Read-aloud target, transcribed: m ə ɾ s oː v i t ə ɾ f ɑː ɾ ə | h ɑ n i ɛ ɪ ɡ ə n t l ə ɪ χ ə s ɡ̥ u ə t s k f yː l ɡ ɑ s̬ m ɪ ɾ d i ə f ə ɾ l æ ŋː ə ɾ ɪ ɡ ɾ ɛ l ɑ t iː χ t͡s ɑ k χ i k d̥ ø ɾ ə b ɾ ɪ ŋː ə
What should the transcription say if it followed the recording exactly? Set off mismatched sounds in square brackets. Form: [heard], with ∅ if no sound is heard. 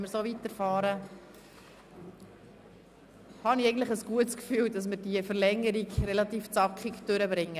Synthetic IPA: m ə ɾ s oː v i t ə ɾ f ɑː ɾ ə | h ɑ n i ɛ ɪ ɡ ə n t l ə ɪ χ ə s ɡ̥ u ə t s k f yː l [d] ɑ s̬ m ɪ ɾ d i ə f ə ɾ l [ɛ] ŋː ə ɾ [i] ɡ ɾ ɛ l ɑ t iː [f] t͡s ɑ k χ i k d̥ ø ɾ ə b ɾ ɪ ŋː ə